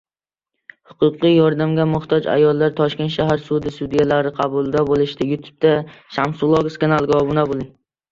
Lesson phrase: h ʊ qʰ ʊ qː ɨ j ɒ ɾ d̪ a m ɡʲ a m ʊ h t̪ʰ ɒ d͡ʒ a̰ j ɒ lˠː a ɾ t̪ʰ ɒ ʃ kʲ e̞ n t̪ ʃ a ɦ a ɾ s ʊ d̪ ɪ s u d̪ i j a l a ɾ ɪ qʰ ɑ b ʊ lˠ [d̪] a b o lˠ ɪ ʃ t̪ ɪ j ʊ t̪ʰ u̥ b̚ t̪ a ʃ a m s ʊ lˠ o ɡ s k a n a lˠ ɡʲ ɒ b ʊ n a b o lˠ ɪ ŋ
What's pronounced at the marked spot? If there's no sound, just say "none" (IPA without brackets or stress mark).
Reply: d̪